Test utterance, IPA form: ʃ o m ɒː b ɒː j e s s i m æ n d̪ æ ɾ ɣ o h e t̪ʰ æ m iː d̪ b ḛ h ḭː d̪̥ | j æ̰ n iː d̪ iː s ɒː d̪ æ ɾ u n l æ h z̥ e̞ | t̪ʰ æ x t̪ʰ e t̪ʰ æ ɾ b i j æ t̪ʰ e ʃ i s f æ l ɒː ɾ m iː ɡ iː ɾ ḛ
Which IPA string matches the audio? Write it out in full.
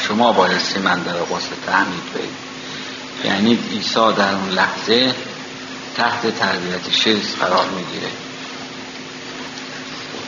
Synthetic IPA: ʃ o m ɒː b ɒː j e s s i m æ n d̪ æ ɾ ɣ o s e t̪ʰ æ m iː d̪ b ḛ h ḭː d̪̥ | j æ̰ n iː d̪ iː s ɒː d̪ æ ɾ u n l æ h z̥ e̞ | t̪ʰ æ h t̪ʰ e t̪ʰ æ ɾ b i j æ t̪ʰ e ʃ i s f æ ɾ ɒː ɾ m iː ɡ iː ɾ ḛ